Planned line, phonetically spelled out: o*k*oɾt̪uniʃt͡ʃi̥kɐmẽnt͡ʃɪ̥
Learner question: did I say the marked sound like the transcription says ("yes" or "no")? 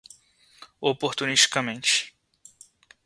no